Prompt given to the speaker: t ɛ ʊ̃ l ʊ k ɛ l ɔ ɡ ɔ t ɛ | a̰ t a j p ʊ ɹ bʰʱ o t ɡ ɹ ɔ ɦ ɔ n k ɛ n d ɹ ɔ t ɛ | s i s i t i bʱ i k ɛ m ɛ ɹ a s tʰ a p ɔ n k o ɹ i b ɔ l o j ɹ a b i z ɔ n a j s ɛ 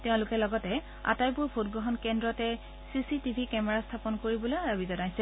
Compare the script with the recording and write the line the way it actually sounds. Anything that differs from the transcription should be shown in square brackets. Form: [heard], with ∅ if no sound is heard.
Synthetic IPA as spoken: t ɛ ʊ̃ l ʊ k ɛ l ɔ ɡ ɔ t ɛ | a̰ t a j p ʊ ɹ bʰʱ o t ɡ ɹ ɔ ɦ ɔ n k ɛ n d ɹ ɔ t ɛ | s i s i t i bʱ i k ɛ m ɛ ɹ a s tʰ a p ɔ n k o ɹ i b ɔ l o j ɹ a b i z ɔ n a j s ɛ

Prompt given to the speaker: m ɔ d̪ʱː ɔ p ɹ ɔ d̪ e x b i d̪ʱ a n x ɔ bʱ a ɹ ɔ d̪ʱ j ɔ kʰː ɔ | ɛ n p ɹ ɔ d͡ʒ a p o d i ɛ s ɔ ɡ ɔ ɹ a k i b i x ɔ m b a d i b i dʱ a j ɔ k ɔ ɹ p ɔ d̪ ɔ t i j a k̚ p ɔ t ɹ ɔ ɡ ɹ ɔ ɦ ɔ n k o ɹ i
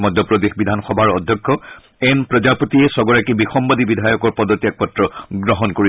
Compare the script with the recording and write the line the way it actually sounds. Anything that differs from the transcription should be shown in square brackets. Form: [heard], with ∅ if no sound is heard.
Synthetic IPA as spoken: m ɔ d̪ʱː ɔ p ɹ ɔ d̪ e x b i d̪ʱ a n x ɔ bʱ a ɹ ɔ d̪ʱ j ɔ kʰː ɔ | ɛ n p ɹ ɔ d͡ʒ a p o [t] i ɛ s ɔ ɡ ɔ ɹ a k i b i x ɔ m b a d i b i dʱ a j ɔ k ɔ ɹ p ɔ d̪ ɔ t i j a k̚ p ɔ t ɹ ɔ ɡ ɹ ɔ ɦ ɔ n k o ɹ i

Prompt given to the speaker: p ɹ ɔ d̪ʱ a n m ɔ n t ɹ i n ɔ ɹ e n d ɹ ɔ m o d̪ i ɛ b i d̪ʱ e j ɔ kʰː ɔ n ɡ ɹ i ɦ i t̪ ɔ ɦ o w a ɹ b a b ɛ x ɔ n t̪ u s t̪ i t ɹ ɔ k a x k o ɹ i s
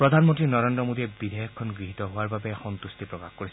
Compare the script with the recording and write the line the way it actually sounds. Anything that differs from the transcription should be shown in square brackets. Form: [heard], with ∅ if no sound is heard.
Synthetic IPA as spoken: p ɹ ɔ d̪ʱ a n m ɔ n t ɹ i n ɔ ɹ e n d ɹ ɔ m o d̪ i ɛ b i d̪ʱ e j ɔ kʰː ɔ n ɡ ɹ i ɦ i t̪ ɔ ɦ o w a ɹ b a b ɛ x ɔ n t̪ u s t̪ i [p] ɹ ɔ k a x k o ɹ i s

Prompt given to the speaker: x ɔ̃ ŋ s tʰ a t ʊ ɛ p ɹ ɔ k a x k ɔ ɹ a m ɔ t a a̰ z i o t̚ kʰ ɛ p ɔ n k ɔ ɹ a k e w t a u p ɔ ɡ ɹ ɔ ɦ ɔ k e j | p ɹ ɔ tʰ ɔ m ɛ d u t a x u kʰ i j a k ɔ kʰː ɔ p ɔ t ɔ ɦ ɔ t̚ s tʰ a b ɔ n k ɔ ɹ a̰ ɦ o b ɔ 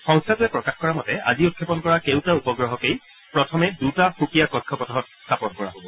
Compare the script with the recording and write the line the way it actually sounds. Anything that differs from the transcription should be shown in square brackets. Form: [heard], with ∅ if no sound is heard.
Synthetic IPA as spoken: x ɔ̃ ŋ s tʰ a t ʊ ɛ p ɹ ɔ k a x k ɔ ɹ a m ɔ t [ɛ] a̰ z i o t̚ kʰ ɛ p ɔ n k ɔ ɹ a k e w t a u p ɔ ɡ ɹ ɔ ɦ ɔ k e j | p ɹ ɔ tʰ ɔ m ɛ d u t a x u [k] i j a k ɔ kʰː ɔ p ɔ t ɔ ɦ ɔ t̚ s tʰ a [p] ɔ n k ɔ ɹ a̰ ɦ o b ɔ

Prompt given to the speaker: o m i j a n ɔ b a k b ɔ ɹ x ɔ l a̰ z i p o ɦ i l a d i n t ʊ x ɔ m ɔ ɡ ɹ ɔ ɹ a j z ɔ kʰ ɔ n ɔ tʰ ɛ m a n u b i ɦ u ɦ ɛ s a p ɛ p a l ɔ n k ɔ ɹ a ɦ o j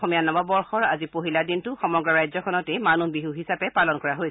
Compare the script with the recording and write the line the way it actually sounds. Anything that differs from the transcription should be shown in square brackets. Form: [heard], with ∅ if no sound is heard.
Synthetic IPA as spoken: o m i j a n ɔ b a [∅] b ɔ ɹ x ɔ [ɹ] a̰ z i p o ɦ i l a d i n t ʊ x ɔ m ɔ ɡ ɹ ɔ ɹ a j z ɔ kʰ ɔ n ɔ [t] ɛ m a n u b i ɦ u ɦ [i] s a p ɛ p a l ɔ n k ɔ ɹ a ɦ o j

